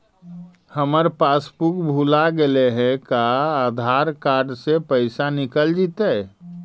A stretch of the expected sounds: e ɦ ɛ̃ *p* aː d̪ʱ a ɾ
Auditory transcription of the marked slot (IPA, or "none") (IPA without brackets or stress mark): k